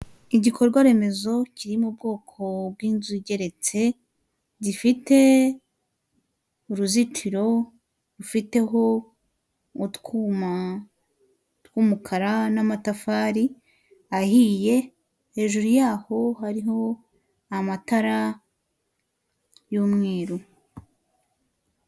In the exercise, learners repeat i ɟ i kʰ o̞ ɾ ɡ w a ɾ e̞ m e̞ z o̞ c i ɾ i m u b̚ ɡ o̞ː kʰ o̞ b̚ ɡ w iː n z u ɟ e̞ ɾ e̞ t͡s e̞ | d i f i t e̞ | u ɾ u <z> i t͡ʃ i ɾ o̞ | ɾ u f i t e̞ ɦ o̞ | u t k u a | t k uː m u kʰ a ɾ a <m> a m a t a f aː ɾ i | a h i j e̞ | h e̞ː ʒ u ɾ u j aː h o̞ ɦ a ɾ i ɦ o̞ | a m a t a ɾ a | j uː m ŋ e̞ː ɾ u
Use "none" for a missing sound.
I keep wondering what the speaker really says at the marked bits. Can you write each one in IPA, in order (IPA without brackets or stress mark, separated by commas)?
z, n